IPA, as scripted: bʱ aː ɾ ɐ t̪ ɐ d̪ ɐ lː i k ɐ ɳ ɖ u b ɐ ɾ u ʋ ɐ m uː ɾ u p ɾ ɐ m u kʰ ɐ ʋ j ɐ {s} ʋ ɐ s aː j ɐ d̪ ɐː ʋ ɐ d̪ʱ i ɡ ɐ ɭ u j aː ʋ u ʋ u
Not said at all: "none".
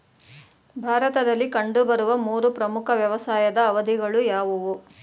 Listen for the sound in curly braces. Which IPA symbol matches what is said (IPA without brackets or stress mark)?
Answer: none